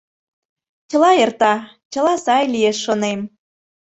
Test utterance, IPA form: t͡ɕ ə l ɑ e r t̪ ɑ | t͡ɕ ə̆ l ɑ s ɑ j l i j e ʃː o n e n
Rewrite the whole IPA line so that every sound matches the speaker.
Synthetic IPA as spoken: t͡ɕ ə l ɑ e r t̪ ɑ | t͡ɕ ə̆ l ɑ s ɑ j l i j e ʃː o n e m